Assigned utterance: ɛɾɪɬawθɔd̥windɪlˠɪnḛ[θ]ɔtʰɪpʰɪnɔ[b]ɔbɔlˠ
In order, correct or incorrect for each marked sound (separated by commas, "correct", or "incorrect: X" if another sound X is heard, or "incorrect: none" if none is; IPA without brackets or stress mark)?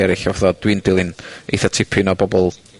correct, correct